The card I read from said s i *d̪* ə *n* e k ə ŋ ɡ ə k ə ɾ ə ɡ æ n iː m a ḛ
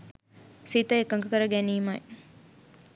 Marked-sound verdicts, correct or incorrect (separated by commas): incorrect, incorrect